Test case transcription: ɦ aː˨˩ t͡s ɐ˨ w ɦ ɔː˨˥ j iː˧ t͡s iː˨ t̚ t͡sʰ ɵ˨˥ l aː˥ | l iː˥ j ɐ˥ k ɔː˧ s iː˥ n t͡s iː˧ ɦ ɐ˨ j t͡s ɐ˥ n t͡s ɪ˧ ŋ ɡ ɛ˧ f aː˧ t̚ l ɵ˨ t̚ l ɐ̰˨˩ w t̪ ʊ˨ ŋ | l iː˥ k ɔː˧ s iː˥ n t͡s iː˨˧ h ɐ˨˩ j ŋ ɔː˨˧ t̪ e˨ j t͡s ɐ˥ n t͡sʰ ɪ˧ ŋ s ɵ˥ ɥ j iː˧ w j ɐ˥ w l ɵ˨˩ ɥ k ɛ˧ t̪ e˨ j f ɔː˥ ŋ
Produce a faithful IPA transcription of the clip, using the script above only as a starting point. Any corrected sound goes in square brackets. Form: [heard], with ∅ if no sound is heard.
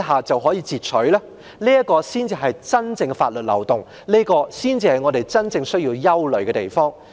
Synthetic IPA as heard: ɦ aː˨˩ t͡s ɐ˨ w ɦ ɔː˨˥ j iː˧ t͡s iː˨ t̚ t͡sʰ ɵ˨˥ l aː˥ | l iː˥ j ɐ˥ k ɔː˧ s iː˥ n t͡s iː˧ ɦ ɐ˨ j t͡s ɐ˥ n t͡s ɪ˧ ŋ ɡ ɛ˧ f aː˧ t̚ l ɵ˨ t̚ l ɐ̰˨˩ w t̪ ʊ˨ ŋ | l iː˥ k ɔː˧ s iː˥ n t͡s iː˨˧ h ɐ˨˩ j ŋ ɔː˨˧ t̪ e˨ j t͡s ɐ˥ n [t͡s] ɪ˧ ŋ s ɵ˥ ɥ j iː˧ w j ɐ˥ w l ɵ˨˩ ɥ k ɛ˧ t̪ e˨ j f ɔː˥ ŋ